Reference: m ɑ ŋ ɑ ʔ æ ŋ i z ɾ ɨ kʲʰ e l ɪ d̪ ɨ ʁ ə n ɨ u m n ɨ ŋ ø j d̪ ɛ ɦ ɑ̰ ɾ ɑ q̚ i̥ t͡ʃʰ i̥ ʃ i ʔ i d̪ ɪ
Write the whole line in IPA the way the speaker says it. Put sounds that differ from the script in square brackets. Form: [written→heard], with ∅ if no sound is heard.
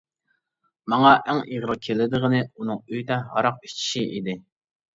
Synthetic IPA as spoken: m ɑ ŋ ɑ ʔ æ ŋ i [z→ʁ] ɾ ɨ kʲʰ e l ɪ d̪ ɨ ʁ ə n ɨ u [m→∅] n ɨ ŋ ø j d̪ ɛ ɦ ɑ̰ ɾ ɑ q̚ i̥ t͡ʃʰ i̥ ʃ i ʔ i d̪ ɪ